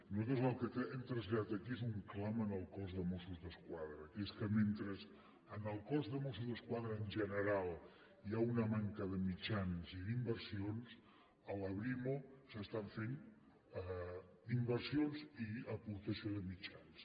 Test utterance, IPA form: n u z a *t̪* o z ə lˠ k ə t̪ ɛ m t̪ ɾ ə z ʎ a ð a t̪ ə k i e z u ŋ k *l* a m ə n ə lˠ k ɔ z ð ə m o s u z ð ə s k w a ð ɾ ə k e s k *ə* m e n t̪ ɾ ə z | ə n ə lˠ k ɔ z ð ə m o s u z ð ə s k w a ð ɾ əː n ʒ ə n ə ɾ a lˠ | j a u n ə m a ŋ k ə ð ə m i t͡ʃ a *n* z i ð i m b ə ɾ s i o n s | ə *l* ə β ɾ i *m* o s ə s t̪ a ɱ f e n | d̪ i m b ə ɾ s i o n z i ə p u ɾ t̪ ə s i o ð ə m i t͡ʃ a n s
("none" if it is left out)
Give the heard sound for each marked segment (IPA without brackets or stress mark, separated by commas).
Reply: t̪, l, ə, n, l, m